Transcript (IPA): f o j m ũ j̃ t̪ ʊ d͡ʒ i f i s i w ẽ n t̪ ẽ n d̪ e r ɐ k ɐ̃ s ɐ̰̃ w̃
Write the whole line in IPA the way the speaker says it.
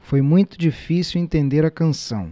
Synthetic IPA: f o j m ũ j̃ t̪ ʊ d͡ʒ i f i s i w ẽ n t̪ ẽ n d̪ e ɾ ɐ k ɐ̃ s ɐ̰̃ w̃